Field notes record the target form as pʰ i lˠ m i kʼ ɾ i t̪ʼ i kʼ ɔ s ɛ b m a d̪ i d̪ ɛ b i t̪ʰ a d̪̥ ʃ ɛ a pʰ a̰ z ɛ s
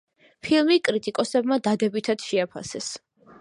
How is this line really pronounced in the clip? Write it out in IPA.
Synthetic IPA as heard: pʰ i lˠ m i kʼ ɾ i t̪ʼ i kʼ ɔ s ɛ b m a d̪ a d̪ ɛ b i t̪ʰ a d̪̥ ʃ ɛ a pʰ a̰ s ɛ s